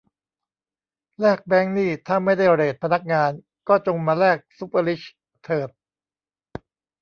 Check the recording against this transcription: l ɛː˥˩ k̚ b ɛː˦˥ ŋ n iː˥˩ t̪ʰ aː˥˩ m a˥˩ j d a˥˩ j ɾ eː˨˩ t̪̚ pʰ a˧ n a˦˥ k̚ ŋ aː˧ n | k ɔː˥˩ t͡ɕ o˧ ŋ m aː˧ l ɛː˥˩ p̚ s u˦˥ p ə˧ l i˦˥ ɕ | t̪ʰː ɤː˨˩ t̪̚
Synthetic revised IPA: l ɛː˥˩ k̚ b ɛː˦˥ ŋ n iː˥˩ t̪ʰ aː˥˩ m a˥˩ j d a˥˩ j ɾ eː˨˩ t̪̚ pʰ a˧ n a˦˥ k̚ ŋ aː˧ n | k ɔː˥˩ t͡ɕ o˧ ŋ m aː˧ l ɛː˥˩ k̚ s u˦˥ p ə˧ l i˦˥ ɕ | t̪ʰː ɤː˨˩ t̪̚